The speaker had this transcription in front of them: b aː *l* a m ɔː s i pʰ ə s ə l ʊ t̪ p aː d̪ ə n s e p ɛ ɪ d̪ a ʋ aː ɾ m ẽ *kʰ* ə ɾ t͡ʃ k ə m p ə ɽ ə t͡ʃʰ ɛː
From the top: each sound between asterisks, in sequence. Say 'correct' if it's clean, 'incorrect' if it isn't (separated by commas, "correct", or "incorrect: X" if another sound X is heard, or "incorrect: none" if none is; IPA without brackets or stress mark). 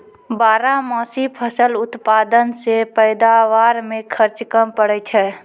incorrect: ɾ, correct